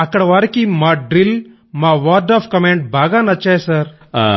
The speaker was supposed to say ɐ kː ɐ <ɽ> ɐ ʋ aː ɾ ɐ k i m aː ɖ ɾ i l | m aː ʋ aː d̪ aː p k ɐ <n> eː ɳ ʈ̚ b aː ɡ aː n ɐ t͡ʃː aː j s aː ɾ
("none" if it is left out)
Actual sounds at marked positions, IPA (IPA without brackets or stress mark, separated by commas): ɽ, m